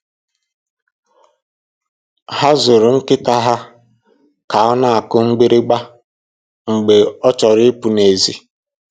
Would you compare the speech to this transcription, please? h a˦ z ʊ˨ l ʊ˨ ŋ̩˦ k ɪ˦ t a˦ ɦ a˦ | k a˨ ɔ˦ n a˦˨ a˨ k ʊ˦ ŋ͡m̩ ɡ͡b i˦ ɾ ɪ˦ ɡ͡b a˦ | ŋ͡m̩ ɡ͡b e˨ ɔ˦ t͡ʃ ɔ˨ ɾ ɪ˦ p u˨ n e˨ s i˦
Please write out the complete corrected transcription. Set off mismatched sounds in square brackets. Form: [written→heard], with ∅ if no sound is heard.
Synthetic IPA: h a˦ z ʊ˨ [l→ɾ] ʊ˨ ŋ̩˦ k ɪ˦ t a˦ ɦ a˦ | k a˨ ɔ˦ n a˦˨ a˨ k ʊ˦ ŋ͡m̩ ɡ͡b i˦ ɾ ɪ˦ ɡ͡b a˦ | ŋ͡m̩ ɡ͡b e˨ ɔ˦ t͡ʃ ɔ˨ ɾ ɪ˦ p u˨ n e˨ [s→z] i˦